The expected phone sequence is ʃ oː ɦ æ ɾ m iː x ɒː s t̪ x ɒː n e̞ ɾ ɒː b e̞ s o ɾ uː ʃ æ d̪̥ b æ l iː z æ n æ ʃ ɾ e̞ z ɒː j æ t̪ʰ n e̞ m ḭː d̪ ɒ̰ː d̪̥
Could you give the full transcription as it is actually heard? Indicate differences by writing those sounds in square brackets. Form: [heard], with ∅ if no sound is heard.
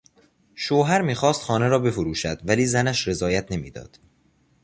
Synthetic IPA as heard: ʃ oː ɦ æ ɾ m iː x ɒː s t̪ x ɒː n e̞ ɾ ɒː b e̞ [f] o ɾ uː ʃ æ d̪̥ [v] æ l iː z æ n æ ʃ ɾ e̞ z ɒː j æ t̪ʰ n e̞ m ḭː d̪ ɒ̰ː d̪̥